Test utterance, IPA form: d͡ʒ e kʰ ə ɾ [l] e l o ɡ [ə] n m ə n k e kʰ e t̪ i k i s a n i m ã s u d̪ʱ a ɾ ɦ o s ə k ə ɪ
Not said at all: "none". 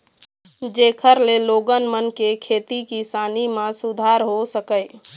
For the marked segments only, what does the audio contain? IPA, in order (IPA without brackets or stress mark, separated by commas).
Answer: l, ə